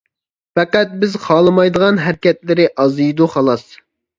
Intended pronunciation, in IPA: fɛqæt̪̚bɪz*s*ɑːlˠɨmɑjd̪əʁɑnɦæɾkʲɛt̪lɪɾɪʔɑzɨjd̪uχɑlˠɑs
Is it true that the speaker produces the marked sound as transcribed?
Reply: no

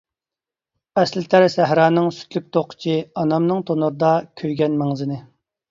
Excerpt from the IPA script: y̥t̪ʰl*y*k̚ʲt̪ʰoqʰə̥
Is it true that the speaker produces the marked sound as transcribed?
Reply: yes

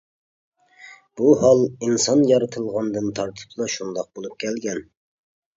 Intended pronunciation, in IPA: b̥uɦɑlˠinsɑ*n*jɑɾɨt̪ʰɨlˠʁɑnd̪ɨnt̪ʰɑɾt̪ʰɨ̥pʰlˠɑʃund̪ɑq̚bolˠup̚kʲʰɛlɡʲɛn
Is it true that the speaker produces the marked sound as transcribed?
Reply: yes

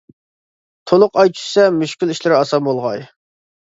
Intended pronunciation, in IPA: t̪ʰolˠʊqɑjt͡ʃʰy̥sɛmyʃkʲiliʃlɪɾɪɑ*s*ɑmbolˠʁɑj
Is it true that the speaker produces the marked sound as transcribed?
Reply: yes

